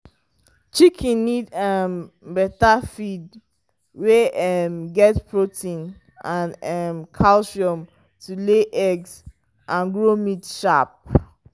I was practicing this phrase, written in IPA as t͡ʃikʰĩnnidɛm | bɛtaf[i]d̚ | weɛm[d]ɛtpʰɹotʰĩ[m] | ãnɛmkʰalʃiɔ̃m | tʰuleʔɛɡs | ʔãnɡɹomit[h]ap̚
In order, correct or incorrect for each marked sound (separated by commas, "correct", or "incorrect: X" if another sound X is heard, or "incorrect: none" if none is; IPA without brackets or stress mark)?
correct, incorrect: ɡ, incorrect: n, incorrect: ʃ